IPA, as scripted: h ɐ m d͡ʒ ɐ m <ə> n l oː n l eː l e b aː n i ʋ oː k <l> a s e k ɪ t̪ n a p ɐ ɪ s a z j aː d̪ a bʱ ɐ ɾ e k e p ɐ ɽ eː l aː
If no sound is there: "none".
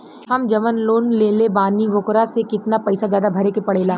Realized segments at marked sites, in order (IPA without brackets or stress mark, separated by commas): ə, ɾ